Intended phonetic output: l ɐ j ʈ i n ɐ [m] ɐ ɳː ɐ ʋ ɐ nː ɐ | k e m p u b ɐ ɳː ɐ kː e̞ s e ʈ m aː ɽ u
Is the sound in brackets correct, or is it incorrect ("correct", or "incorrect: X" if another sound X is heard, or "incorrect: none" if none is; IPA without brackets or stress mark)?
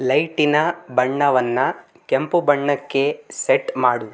incorrect: b